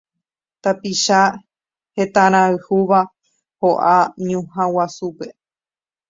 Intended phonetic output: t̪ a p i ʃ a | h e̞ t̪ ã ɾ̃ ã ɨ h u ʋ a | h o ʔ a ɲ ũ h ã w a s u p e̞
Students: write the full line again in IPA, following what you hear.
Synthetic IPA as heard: t̪ a p i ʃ a | h e̞ t̪ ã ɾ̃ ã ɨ h u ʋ a | h o ʔ a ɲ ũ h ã w a s u p e̞